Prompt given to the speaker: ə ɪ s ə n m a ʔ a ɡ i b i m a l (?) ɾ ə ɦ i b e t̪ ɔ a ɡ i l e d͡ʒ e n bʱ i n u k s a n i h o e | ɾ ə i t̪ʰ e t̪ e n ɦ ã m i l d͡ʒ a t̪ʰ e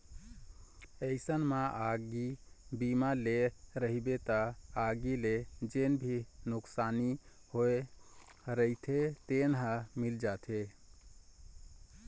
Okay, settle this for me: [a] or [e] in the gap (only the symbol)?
e